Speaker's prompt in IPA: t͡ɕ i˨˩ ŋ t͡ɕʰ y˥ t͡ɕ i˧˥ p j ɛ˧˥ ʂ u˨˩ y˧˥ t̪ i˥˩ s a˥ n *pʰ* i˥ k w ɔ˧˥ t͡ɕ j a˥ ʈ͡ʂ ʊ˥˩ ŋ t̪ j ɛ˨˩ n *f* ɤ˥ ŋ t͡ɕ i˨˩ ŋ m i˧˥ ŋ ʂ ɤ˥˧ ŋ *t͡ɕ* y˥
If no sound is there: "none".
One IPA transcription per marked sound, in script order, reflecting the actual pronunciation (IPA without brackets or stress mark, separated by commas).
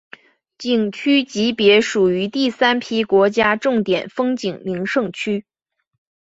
pʰ, f, t͡ɕʰ